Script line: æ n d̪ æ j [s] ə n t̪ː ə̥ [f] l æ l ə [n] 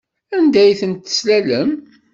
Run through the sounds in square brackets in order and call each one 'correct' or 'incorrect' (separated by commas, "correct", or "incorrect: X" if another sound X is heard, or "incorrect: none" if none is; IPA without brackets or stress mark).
incorrect: θ, incorrect: s, incorrect: m